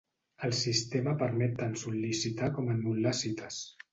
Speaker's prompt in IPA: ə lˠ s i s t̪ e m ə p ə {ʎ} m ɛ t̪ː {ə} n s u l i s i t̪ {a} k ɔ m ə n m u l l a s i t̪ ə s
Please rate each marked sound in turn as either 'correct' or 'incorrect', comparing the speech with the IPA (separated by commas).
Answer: incorrect, incorrect, correct